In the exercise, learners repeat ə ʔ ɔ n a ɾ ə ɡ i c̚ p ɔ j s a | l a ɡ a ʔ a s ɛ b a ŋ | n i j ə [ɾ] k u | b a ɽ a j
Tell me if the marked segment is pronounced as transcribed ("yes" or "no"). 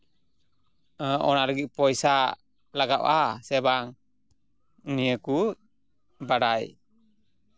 no